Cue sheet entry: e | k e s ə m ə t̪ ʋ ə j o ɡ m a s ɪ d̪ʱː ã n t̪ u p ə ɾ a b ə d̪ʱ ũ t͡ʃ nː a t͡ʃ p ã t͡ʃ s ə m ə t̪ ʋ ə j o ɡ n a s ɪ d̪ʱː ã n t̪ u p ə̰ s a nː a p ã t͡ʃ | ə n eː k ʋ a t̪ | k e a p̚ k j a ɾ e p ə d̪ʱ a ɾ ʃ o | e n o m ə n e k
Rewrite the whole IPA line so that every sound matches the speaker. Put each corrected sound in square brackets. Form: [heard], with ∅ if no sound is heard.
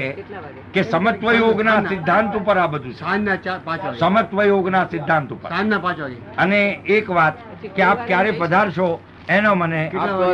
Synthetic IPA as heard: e | k e s ə m ə t̪ ʋ ə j o ɡ [n] a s ɪ d̪ʱː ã n t̪ u p ə ɾ a b ə d̪ʱ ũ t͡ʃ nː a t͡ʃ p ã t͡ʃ s ə m ə t̪ ʋ ə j o ɡ n a s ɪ d̪ʱː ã n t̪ u p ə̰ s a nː a p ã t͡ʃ | ə n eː k ʋ a t̪ | k e a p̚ k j a ɾ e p ə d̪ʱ a ɾ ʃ o | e n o m ə n e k